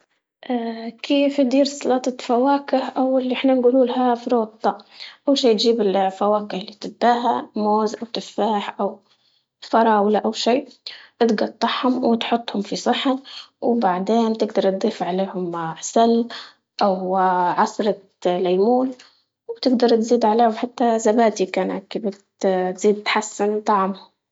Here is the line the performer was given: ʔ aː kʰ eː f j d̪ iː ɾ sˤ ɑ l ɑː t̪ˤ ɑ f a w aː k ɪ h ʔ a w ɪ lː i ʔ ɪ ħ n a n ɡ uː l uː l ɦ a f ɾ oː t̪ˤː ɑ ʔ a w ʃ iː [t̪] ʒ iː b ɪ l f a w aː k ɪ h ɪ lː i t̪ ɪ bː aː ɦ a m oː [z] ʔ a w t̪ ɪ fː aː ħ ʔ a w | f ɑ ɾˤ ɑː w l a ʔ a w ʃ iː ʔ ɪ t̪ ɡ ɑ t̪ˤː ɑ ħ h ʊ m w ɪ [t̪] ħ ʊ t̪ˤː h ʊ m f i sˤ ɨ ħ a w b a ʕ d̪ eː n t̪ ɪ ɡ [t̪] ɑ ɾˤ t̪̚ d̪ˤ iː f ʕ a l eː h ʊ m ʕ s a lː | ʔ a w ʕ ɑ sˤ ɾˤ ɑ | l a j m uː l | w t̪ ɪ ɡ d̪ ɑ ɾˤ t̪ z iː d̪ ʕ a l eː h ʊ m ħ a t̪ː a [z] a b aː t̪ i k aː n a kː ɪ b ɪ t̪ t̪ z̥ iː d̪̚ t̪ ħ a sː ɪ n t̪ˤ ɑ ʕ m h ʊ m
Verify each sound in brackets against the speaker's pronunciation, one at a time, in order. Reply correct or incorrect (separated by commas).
correct, correct, correct, incorrect, correct